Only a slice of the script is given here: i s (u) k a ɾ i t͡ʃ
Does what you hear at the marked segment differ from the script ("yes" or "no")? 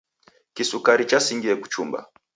no